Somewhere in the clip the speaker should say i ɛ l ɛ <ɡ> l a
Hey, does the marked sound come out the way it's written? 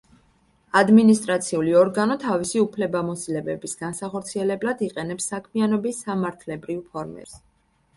no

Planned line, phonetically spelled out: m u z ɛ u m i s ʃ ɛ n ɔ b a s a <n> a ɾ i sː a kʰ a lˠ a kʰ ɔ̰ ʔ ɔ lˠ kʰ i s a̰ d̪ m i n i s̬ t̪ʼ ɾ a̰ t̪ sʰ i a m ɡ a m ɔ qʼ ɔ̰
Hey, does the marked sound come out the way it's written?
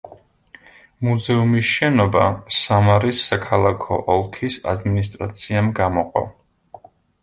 no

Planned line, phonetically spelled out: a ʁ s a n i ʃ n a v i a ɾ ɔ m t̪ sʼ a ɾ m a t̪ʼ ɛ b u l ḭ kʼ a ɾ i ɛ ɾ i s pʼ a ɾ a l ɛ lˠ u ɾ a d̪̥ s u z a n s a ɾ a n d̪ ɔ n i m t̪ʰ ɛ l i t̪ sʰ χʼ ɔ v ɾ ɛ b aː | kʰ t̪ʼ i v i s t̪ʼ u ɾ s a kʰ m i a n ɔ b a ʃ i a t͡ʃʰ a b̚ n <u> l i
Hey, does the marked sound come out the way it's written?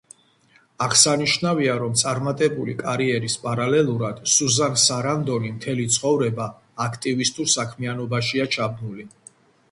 yes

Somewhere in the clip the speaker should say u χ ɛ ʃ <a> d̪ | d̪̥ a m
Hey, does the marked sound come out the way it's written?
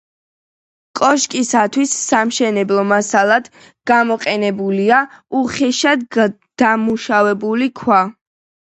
yes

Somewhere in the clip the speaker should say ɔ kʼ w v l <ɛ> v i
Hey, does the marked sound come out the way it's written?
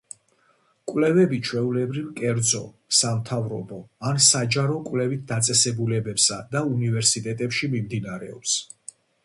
yes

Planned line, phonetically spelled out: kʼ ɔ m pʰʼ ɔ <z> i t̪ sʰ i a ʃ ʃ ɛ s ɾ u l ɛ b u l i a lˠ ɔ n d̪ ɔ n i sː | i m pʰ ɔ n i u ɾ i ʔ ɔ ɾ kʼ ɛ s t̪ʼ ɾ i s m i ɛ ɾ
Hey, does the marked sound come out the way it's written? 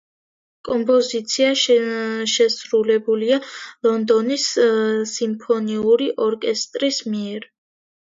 yes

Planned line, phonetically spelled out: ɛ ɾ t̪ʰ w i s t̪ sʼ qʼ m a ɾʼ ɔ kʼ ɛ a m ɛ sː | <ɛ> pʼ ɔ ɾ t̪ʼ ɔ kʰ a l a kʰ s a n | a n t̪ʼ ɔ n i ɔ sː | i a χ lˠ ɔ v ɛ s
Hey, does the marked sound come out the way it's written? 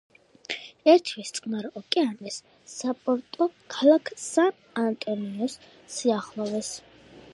no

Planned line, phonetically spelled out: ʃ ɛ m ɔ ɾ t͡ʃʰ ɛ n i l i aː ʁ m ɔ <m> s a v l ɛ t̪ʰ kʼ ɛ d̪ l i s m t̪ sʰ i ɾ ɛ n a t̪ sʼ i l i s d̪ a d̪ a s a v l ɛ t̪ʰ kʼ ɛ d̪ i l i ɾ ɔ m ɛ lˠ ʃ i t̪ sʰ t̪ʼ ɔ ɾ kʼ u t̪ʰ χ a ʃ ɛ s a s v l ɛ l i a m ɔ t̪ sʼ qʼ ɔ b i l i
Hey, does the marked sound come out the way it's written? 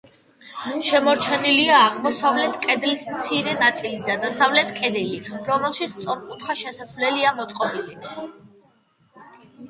no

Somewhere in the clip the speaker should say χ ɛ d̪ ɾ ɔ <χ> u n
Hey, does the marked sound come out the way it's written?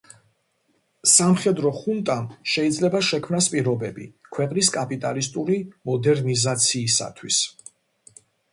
yes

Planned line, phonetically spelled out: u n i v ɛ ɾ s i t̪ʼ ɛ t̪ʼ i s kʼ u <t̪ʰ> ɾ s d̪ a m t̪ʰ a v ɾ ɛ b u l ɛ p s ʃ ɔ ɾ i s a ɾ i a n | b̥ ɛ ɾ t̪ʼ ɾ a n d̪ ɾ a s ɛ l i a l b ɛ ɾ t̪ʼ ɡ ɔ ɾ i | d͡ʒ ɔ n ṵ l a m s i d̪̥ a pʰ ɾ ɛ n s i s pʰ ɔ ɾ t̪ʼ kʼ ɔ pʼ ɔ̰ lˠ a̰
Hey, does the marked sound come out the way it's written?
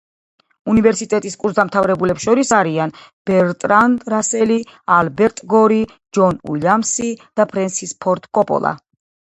no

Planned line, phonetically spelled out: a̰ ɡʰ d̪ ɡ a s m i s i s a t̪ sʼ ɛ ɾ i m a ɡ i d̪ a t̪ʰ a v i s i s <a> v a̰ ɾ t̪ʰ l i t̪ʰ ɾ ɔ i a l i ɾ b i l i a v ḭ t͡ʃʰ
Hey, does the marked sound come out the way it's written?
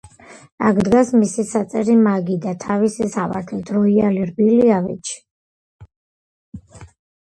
yes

